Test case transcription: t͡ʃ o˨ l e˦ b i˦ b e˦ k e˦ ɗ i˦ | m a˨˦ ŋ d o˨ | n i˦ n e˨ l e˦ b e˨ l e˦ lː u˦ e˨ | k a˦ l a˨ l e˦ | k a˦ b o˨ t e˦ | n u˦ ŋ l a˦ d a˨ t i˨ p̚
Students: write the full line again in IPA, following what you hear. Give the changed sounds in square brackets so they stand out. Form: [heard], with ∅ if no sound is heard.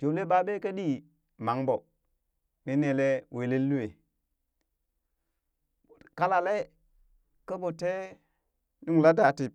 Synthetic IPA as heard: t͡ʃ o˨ l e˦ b [a˦] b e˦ k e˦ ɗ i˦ | m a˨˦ ŋ [b] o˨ | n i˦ n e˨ l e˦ [w] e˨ l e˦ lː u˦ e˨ | k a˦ l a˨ l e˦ | k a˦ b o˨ t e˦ | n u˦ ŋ l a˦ d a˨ t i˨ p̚

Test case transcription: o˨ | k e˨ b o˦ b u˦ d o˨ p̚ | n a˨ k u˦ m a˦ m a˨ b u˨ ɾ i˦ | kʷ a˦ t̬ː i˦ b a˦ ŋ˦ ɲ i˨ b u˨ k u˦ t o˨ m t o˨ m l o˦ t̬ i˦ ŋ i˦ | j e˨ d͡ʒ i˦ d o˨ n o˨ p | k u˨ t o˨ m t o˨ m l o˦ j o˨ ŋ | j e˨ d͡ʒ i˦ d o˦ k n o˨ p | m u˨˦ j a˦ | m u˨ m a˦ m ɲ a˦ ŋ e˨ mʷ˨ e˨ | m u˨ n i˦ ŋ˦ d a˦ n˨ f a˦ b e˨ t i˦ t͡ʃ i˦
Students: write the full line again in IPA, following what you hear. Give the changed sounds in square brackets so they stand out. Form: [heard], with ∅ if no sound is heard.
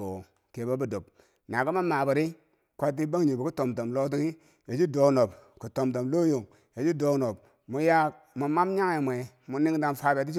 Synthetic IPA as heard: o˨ | k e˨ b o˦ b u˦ d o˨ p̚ | n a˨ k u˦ m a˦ m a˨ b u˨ ɾ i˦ | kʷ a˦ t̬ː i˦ b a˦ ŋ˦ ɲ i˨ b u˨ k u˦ t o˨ m t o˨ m l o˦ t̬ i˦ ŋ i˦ | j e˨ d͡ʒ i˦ d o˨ n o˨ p | k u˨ t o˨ m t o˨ m l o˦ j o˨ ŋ | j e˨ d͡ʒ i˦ d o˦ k n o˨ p | m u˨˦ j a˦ | m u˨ m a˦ m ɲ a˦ ŋ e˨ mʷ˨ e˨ | m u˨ n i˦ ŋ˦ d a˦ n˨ f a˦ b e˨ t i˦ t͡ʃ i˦

